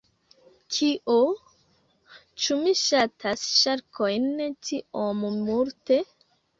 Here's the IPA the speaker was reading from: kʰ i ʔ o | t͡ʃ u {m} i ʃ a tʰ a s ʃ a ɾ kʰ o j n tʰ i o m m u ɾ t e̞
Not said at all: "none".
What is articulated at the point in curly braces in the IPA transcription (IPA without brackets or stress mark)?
m